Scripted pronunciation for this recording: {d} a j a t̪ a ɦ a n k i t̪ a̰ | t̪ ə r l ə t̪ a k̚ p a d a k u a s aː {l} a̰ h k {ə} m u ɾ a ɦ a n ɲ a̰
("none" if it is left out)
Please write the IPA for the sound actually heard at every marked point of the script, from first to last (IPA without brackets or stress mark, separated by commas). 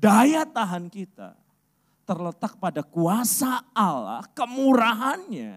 d, l, ə